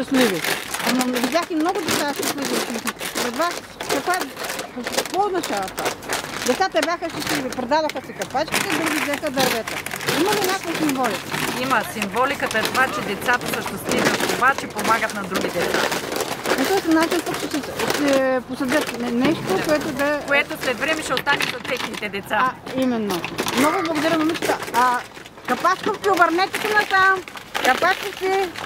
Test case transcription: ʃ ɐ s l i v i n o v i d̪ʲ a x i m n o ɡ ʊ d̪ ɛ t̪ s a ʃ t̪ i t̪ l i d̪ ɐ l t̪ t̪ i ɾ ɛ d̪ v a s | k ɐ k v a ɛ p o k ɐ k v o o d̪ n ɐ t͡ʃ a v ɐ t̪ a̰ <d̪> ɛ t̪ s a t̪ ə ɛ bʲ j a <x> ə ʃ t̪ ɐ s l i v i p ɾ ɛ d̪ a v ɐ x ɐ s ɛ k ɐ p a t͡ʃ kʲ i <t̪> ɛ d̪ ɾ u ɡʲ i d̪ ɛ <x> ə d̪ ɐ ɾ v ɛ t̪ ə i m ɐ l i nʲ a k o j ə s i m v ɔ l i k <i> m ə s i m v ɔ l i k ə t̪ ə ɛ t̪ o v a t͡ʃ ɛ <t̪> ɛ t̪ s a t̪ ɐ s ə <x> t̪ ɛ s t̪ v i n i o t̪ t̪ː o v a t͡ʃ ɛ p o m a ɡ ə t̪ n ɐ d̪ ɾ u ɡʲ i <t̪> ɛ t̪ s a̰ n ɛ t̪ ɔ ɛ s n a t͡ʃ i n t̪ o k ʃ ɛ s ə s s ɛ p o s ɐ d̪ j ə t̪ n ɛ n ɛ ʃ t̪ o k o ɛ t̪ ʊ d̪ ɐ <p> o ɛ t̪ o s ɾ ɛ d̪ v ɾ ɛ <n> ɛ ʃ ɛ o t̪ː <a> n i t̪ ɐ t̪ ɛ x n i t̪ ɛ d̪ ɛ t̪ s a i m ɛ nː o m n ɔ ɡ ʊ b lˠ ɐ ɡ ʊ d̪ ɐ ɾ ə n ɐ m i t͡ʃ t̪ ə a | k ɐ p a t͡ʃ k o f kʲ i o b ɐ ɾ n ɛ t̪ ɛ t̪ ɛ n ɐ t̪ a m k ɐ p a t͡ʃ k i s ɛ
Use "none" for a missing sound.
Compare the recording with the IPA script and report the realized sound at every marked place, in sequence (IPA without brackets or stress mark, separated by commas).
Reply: d̪, x, t̪, x, i, d̪, ʃ, d̪, k, m, a